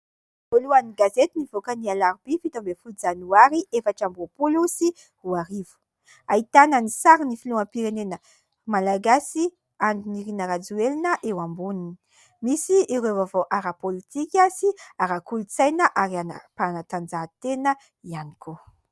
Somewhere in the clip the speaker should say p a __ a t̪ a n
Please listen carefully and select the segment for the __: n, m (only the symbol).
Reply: n